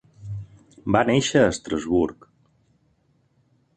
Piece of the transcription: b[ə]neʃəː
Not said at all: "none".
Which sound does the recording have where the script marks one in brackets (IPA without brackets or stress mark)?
a